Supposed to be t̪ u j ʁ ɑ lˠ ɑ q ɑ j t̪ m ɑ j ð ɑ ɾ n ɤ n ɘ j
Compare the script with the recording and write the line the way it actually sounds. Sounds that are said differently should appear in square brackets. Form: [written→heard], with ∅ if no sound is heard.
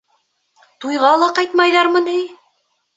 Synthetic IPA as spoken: t̪ u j ʁ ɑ lˠ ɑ q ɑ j t̪ m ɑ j ð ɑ ɾ [n→m] ɤ n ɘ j